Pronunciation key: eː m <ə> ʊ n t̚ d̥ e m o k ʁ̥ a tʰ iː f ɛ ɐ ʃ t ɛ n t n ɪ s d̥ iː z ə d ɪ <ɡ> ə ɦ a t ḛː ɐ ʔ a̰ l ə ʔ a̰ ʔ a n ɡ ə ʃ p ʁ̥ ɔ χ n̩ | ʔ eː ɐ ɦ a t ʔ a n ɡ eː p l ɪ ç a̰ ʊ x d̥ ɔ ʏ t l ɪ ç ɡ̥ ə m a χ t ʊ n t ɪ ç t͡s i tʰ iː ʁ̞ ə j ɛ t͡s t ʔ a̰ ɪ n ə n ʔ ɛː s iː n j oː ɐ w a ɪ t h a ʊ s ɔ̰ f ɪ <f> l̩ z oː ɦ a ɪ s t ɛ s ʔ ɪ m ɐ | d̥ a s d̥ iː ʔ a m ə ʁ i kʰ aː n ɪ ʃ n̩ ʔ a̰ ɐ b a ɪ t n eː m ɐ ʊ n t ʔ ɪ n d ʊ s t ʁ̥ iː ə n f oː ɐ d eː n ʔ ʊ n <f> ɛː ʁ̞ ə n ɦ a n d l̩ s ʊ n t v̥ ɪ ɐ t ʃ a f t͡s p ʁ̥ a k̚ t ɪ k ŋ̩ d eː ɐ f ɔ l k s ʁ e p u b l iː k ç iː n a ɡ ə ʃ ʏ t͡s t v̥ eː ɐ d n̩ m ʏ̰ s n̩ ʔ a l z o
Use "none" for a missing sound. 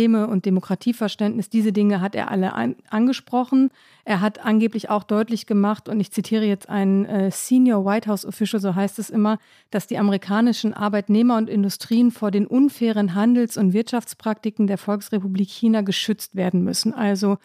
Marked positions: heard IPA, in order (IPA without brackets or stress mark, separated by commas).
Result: ə, ŋ, ʃ, f